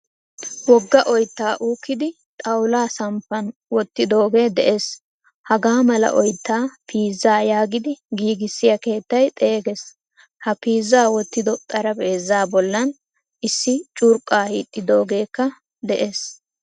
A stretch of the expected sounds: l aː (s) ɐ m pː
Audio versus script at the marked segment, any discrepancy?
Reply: no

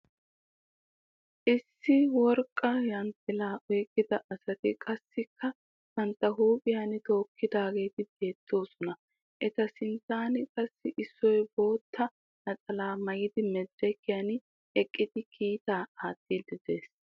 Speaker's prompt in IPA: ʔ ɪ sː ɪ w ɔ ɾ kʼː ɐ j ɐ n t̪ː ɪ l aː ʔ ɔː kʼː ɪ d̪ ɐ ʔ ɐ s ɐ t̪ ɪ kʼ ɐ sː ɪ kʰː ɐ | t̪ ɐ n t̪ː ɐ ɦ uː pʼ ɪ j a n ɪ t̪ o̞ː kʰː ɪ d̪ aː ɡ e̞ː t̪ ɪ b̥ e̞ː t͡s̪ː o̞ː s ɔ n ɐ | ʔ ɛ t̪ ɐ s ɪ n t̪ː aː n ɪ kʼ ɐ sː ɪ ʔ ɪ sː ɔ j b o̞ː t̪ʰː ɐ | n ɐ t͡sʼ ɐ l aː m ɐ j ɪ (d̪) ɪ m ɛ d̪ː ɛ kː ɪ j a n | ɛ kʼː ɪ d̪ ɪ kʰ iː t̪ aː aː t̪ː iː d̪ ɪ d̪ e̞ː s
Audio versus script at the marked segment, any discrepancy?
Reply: no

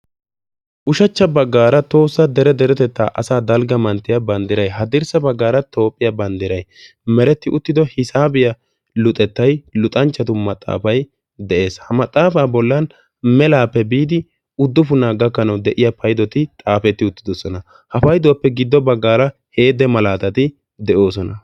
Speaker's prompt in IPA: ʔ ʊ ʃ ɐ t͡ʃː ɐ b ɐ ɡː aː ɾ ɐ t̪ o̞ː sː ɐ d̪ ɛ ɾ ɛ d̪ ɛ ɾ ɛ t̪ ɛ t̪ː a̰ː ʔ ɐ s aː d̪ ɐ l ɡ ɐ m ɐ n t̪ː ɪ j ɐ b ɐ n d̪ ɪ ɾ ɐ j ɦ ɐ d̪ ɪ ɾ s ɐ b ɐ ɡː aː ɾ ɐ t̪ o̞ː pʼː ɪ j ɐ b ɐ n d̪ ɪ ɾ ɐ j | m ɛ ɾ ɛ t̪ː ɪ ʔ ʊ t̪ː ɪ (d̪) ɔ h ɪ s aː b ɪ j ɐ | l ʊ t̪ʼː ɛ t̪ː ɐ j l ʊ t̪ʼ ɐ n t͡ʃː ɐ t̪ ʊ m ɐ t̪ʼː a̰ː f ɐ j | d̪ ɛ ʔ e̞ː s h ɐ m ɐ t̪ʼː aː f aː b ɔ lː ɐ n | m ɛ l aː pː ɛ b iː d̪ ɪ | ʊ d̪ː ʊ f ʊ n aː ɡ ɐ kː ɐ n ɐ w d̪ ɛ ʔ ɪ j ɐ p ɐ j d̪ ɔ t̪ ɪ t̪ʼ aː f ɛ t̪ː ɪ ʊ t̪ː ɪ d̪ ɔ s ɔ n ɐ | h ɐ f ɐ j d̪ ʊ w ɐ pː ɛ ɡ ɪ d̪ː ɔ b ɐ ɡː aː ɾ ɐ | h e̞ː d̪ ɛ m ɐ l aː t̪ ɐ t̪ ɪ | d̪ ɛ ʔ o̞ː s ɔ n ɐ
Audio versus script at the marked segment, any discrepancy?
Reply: no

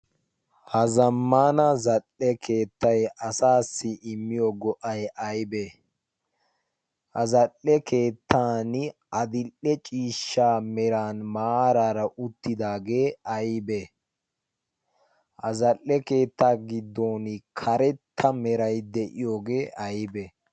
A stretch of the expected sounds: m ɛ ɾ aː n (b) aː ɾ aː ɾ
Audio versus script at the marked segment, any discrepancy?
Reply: yes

